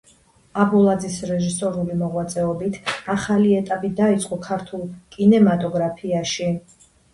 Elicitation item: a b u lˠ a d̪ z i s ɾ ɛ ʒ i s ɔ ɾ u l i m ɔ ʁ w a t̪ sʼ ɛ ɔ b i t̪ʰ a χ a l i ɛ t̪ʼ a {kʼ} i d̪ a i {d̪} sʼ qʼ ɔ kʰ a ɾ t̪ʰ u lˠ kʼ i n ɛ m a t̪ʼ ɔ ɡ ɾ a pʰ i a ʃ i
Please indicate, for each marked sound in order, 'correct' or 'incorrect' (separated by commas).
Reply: incorrect, incorrect